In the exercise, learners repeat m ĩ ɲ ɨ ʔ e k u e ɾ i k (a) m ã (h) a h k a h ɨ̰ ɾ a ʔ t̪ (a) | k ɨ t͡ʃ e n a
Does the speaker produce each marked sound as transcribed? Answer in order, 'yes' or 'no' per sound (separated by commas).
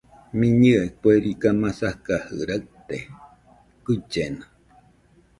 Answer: yes, no, no